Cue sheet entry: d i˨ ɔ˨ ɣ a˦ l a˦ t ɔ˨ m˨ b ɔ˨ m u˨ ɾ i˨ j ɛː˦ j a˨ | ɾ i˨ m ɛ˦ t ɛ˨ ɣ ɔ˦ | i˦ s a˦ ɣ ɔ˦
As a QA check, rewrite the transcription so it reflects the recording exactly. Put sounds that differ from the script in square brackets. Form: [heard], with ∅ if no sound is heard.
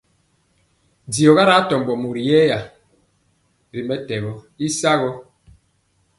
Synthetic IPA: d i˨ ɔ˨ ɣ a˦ [ɾ] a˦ t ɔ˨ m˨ b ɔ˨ m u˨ ɾ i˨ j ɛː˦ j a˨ | ɾ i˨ m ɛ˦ t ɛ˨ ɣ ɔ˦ | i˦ s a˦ ɣ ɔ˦